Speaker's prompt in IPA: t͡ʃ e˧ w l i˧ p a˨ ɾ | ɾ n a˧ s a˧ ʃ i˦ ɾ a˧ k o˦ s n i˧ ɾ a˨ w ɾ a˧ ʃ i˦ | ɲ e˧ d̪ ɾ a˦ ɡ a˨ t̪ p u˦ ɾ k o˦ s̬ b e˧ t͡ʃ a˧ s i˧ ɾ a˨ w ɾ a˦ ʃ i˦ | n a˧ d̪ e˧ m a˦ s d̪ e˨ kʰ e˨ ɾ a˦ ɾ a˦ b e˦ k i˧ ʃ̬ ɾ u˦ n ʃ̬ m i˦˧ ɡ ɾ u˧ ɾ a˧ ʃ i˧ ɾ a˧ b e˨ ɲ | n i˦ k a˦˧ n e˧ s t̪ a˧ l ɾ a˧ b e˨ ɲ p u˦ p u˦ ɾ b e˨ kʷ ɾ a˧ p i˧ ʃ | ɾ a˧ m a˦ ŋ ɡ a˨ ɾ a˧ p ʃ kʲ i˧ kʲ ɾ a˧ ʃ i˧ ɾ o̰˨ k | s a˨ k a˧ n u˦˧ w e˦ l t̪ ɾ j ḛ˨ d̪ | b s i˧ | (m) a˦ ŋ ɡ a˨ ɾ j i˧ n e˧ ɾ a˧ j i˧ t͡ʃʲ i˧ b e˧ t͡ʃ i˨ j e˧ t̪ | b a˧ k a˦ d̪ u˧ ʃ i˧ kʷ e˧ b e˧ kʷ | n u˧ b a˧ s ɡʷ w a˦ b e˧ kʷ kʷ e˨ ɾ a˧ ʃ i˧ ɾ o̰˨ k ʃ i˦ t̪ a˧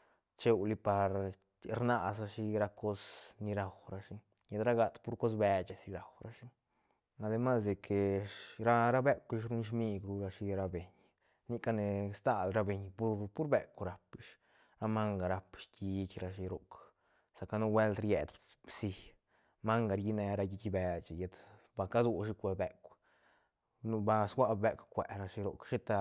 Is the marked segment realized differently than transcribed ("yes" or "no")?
no